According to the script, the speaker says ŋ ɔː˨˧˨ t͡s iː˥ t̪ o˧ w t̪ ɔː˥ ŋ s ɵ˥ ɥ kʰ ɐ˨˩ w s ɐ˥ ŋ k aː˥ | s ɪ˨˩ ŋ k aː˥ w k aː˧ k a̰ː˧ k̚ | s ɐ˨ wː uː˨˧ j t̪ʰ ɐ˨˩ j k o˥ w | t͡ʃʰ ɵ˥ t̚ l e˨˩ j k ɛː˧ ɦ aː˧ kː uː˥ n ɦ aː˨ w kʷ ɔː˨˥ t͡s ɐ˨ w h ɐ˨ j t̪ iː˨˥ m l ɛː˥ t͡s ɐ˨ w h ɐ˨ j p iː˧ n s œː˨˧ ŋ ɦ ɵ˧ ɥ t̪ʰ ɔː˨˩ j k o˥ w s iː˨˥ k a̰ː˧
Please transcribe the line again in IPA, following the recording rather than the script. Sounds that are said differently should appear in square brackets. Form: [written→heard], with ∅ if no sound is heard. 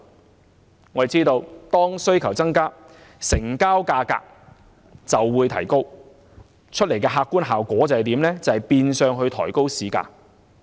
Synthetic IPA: ŋ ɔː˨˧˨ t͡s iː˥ t̪ o˧ w t̪ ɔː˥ ŋ s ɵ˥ ɥ kʰ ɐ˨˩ w [s→t͡s] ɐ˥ ŋ k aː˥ | s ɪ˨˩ ŋ k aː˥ w k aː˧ k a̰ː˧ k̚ | [s→t͡s] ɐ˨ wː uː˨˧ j t̪ʰ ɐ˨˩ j k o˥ w | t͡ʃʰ ɵ˥ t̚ l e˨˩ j k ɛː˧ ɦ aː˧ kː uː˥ n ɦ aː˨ w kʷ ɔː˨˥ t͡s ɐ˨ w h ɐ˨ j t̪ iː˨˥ m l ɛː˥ t͡s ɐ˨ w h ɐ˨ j p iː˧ n s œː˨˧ ŋ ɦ ɵ˧ ɥ t̪ʰ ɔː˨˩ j k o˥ w s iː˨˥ k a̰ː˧